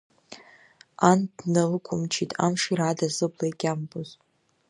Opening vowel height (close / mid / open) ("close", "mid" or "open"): open